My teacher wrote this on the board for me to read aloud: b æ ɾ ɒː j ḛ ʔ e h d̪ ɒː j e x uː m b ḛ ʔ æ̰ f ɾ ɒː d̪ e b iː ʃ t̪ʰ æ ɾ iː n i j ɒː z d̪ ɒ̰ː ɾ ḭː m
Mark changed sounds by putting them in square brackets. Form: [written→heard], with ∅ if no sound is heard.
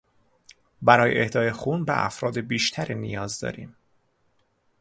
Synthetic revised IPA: b æ ɾ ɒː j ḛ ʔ e h d̪ ɒː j e x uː [m→n] b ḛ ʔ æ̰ f ɾ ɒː d̪ e b iː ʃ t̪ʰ æ ɾ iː n i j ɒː z d̪ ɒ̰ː ɾ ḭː m

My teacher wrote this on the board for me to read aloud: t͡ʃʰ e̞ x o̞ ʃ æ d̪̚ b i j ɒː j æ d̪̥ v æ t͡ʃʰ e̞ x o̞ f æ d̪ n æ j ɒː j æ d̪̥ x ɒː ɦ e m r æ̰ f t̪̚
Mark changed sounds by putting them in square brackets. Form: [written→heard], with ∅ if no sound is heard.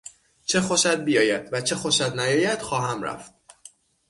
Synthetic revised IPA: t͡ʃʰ e̞ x o̞ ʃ æ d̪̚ b i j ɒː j æ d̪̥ v æ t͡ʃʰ e̞ x o̞ [f→ʃ] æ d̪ n æ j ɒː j æ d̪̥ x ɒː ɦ [e→æ] m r æ̰ f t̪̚

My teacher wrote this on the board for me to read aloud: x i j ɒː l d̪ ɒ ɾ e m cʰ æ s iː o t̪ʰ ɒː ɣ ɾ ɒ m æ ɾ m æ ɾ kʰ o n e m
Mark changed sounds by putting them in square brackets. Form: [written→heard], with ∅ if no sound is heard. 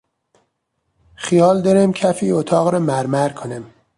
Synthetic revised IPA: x i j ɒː l d̪ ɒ ɾ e m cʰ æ [s→f] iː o t̪ʰ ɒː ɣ ɾ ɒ m æ ɾ m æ ɾ kʰ o n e m

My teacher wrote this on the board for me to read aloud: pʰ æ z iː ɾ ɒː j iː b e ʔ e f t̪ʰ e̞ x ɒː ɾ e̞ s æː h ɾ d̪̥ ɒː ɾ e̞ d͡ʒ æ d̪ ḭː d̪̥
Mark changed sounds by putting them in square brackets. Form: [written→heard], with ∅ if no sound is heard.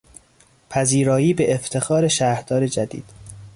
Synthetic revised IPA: pʰ æ z iː ɾ ɒː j iː b e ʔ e f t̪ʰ e̞ x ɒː ɾ e̞ [s→ʃ] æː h ɾ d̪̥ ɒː ɾ e̞ d͡ʒ æ d̪ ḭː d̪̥

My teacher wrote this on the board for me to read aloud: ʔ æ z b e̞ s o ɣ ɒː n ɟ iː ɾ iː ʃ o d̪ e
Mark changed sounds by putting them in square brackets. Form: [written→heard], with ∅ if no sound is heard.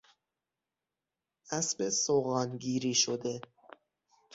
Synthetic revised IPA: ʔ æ [z→s] b e̞ s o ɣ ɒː n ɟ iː ɾ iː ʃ o d̪ e

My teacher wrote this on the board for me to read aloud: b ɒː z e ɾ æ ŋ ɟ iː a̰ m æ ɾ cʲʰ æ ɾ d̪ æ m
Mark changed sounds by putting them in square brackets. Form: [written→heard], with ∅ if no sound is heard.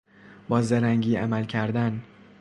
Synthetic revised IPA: b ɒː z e ɾ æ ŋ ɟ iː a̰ m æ [ɾ→l] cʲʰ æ ɾ d̪ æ [m→n]

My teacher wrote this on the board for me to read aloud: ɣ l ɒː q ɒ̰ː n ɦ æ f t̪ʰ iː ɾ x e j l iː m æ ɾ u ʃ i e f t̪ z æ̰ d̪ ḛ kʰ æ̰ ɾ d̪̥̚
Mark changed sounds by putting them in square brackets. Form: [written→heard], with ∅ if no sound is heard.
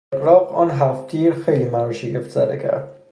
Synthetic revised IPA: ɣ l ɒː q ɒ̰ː n ɦ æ f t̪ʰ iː ɾ x e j l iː m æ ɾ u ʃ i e f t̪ z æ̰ d̪ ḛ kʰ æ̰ ɾ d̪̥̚

